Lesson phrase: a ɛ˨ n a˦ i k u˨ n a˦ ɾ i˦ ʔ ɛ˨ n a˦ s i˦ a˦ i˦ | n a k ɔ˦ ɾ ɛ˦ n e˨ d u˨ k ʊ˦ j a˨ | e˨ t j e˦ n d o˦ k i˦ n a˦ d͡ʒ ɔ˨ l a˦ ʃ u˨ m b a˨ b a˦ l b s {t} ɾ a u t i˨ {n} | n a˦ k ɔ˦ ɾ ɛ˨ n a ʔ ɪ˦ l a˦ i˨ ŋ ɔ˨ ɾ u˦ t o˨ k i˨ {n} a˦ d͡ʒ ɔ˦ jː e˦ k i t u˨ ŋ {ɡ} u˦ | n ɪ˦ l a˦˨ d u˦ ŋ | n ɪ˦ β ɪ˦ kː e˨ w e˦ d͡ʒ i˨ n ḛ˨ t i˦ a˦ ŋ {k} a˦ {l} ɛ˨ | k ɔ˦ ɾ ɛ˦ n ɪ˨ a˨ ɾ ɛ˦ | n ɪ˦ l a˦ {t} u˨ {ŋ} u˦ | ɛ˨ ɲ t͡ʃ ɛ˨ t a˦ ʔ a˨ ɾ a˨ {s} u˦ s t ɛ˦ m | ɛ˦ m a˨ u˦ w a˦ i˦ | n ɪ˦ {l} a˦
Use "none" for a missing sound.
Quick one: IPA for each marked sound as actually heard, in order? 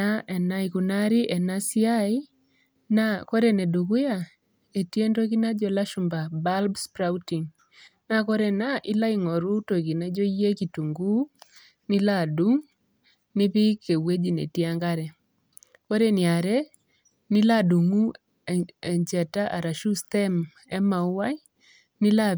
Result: p, ŋ, n, ɡ, ɡ, ɾ, d, ŋ, ʃ, l

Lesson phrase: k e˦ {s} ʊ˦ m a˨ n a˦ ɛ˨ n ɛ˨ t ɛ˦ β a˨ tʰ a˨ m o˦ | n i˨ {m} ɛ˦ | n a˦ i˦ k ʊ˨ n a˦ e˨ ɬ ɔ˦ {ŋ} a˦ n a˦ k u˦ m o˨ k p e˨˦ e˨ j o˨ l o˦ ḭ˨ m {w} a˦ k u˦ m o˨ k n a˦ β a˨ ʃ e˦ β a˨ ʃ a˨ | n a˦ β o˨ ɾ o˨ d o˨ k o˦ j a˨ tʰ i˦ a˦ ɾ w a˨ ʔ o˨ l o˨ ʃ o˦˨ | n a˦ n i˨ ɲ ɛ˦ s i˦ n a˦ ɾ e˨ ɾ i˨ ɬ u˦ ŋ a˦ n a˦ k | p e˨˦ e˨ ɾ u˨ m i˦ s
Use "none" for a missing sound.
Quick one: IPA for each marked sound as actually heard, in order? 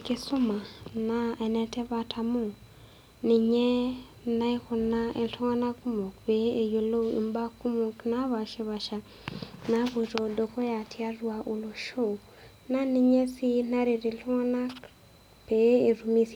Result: s, ɲ, ŋ, b

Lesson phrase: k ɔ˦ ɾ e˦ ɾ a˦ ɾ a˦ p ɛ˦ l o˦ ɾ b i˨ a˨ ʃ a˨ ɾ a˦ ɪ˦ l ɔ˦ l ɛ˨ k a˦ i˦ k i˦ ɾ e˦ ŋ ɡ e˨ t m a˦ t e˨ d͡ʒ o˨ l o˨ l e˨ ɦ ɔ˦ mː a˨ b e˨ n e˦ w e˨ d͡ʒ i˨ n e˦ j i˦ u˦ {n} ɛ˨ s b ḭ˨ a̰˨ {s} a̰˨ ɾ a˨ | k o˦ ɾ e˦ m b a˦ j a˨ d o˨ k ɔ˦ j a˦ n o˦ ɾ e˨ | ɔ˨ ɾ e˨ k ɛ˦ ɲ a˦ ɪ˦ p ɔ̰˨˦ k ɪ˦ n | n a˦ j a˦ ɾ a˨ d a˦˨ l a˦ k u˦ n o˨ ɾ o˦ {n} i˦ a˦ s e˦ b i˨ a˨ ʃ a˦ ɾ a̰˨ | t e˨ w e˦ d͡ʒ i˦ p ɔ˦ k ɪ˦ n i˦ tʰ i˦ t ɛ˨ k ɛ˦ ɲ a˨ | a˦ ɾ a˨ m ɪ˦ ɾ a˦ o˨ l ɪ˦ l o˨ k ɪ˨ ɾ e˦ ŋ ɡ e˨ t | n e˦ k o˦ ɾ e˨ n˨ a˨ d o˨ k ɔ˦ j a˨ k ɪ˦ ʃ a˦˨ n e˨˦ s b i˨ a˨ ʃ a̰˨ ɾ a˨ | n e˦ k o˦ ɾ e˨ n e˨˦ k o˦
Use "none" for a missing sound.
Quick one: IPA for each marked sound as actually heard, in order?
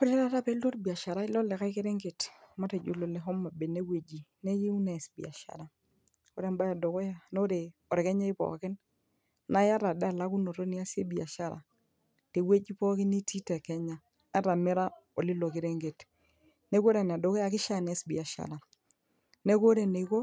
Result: n, ʃ, n

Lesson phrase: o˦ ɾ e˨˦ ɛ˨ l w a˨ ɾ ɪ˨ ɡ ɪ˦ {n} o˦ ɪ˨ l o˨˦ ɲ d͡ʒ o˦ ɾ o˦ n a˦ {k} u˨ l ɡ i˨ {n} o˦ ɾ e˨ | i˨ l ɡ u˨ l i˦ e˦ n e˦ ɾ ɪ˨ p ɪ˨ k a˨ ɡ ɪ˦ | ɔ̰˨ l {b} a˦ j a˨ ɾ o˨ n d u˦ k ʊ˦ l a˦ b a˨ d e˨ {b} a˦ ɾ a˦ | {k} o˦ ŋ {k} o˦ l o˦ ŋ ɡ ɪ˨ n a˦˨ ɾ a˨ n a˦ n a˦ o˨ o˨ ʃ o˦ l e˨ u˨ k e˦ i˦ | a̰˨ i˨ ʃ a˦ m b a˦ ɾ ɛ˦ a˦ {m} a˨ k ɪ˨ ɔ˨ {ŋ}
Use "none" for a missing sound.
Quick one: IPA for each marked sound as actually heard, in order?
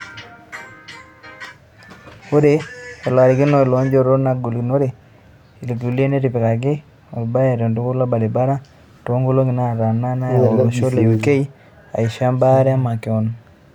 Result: n, ɡ, n, b, b, t, ɡ, m, n

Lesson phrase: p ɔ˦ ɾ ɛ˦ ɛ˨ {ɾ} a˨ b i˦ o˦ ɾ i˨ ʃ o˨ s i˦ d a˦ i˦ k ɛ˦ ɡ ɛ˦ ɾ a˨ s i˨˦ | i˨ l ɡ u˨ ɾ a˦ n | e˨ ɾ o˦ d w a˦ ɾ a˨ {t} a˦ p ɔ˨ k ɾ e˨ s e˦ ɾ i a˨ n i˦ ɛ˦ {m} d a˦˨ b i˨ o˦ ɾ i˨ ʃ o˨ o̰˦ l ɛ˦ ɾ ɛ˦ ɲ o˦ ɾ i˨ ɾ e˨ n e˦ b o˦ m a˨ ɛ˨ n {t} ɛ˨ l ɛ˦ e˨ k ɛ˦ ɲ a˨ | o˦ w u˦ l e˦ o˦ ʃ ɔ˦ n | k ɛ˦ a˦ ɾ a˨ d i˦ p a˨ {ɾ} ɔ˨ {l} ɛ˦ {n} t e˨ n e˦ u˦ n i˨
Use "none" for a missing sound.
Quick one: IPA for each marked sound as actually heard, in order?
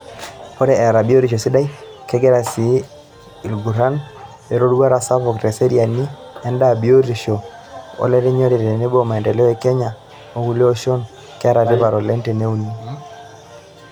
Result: ɾ, s, n, d, ɾ, l, n

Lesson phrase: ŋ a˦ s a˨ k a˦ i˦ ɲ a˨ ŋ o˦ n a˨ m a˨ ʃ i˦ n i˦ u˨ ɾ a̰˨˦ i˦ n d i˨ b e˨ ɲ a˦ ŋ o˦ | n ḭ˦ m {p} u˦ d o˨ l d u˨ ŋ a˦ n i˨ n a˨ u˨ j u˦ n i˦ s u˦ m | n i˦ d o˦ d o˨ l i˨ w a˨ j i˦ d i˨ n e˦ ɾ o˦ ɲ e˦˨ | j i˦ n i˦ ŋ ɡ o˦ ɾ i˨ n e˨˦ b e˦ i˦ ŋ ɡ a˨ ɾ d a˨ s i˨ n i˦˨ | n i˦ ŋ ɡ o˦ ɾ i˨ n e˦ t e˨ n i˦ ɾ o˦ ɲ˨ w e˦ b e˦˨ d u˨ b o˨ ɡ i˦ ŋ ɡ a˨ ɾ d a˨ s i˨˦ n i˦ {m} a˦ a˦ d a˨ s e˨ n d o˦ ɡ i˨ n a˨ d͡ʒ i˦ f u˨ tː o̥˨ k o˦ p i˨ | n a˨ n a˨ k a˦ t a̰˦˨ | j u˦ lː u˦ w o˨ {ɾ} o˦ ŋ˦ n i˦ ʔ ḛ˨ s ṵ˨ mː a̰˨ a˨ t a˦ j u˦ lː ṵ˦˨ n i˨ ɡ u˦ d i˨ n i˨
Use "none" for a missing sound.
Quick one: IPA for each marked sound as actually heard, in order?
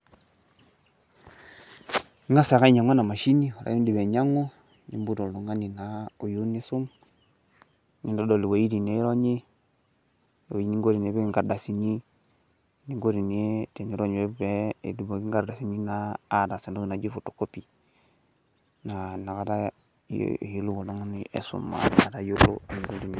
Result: b, n, l

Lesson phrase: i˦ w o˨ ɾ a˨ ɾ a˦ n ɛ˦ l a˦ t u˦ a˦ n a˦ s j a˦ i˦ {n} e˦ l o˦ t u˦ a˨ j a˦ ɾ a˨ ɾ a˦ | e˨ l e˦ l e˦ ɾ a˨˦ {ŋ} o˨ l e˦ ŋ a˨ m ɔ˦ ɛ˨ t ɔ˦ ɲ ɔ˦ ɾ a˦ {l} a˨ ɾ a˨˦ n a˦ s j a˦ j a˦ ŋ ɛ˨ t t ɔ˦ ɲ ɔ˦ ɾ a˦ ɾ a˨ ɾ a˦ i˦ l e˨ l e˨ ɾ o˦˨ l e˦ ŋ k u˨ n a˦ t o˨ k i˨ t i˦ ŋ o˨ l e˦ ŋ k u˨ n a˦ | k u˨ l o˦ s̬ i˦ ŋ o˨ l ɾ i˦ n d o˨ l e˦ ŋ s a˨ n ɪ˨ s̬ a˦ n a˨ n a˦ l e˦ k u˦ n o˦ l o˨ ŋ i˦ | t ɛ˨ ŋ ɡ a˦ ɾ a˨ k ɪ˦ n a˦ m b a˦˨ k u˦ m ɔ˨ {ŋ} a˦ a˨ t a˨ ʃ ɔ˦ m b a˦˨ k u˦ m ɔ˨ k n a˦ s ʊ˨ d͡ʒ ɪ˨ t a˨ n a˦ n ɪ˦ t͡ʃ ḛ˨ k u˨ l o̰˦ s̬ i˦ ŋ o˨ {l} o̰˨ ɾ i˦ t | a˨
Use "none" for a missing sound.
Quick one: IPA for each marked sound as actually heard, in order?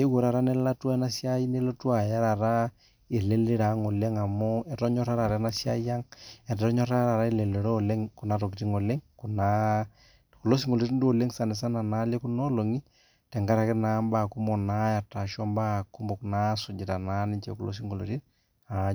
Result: n, ŋ, ɾ, n, l

